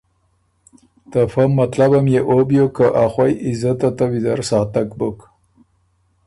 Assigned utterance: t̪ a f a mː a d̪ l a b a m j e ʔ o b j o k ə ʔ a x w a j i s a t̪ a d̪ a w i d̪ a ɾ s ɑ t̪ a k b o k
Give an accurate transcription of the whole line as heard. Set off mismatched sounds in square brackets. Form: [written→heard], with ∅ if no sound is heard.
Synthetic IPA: t̪ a f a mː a [d̪→t̪] l a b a m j e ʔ o b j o k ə ʔ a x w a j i [s→z] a t̪ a [d̪→t̪] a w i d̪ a ɾ s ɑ t̪ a k b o k